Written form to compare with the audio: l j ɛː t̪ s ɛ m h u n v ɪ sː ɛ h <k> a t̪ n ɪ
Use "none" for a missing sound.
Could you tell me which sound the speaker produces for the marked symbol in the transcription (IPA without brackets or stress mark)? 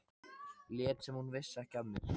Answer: c